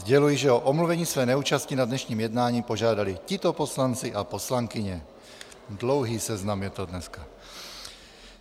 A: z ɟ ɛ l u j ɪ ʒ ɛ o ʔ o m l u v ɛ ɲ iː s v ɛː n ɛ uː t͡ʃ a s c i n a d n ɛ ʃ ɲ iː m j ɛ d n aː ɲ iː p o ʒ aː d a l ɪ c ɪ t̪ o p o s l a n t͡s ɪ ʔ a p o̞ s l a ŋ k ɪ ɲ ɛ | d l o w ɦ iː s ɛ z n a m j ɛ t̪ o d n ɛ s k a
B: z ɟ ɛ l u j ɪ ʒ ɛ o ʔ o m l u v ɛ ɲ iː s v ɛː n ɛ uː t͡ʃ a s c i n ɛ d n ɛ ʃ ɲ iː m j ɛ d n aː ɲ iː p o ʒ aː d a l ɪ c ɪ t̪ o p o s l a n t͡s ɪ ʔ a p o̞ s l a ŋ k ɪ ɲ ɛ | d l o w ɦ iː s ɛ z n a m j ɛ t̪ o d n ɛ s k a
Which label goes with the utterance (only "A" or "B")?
A